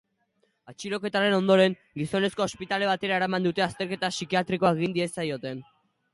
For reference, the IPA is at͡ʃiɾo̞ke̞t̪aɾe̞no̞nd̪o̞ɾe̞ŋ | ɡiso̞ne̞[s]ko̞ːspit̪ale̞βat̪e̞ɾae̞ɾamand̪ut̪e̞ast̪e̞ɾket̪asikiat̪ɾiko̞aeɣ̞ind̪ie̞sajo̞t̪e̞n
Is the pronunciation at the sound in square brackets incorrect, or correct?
correct